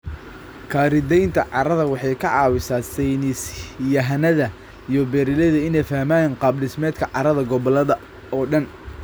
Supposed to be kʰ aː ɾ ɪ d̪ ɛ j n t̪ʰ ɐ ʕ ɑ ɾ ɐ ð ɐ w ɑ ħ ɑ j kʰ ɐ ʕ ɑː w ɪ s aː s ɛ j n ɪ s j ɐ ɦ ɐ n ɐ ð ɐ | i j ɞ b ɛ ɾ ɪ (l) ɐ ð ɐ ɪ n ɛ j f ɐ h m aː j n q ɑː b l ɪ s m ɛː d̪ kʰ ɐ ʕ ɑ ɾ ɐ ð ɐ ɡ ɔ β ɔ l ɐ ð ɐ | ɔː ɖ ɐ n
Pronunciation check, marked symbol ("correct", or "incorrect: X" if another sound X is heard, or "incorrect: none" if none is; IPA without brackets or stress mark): correct